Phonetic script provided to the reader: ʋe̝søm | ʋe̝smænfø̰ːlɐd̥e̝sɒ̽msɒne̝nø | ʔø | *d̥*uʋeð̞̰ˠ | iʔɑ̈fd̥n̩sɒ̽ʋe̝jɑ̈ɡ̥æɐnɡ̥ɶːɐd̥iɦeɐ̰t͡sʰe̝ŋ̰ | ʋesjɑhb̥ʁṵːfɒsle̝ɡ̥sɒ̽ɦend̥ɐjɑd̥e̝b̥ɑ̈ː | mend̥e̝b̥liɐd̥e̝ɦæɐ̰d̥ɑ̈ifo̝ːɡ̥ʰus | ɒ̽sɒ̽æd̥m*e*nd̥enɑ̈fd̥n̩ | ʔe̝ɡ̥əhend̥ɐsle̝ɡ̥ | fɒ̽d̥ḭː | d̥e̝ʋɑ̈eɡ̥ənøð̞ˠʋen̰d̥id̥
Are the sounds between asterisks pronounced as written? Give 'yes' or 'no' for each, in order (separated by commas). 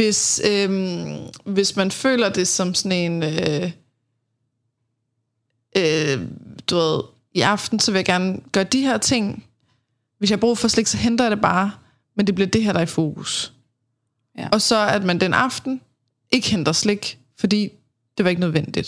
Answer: yes, no